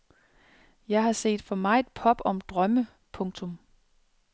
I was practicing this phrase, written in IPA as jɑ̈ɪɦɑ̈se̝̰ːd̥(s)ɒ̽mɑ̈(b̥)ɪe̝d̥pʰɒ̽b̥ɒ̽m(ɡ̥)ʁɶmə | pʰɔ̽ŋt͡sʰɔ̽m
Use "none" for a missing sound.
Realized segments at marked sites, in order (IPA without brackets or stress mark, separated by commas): f, none, d̥